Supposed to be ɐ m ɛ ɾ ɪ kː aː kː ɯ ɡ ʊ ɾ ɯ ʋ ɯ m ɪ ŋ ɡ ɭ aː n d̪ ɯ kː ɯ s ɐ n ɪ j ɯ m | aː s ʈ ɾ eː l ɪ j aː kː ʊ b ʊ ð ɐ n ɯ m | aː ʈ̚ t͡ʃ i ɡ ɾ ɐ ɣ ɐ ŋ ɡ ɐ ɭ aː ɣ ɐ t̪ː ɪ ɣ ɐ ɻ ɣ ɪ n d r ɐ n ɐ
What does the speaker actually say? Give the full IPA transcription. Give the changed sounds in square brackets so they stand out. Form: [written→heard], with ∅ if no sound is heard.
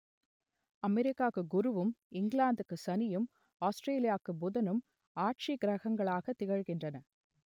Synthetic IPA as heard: ɐ m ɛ ɾ ɪ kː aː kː ɯ ɡ ʊ ɾ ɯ ʋ ɯ m ɪ ŋ ɡ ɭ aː n d̪ ɯ kː ɯ s ɐ n ɪ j ɯ m | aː s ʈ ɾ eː l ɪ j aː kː [ʊ→ɯ] b ʊ ð ɐ n ɯ m | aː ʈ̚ t͡ʃ i ɡ ɾ ɐ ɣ ɐ ŋ ɡ ɐ ɭ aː ɣ ɐ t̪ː ɪ ɣ ɐ ɻ ɣ ɪ n d r ɐ n ɐ

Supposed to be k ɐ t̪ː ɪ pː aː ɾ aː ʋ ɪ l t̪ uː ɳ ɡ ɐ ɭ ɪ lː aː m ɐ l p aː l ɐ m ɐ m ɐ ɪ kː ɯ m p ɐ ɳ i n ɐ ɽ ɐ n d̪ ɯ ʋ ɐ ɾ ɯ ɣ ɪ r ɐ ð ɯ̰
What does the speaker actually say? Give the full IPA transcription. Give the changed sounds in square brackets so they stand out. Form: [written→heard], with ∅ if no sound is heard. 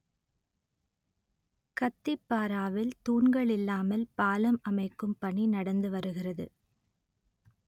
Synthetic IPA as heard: k ɐ t̪ː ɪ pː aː ɾ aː ʋ ɪ l t̪ uː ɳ ɡ ɐ ɭ ɪ lː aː m ɐ l p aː l ɐ m ɐ m ɐ ɪ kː ɯ m p ɐ ɳ i n ɐ ɽ ɐ n d̪ ɯ ʋ ɐ ɾ ɯ ɣ ɪ r ɐ ð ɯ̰

